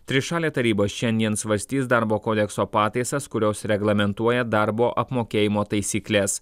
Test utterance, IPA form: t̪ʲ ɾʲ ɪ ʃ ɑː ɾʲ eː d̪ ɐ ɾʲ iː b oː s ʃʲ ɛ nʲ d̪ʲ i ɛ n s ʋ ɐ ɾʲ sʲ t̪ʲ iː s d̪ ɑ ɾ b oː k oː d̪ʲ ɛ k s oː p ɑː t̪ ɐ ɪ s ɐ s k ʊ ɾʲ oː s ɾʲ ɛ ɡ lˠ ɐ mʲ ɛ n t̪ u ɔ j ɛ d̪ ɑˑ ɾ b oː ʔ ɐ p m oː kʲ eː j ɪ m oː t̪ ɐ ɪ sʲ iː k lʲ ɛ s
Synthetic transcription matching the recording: t̪ʲ ɾʲ ɪ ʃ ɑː lʲ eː t̪ ɐ ɾʲ iː b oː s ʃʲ ɛ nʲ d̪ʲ i ɛ n s ʋ ɐ ɾʲ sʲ t̪ʲ iː s d̪ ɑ ɾ b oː k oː d̪ʲ ɛ k s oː p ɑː t̪ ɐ ɪ s ɐ s k ʊ ɾʲ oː s ɾʲ ɛ ɡ lˠ ɐ mʲ ɛ n t̪ u ɔ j ɛ d̪ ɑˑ ɾ b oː ʔ ɐ p m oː kʲ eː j ɪ m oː t̪ ɐ ɪ sʲ iː k lʲ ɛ s